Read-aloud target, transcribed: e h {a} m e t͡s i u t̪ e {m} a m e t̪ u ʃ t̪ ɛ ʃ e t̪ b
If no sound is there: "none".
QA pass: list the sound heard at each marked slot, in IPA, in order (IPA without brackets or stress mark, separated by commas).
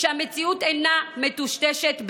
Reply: a, n